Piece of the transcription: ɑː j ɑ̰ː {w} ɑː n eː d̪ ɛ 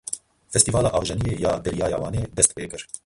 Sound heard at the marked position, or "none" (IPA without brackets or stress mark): w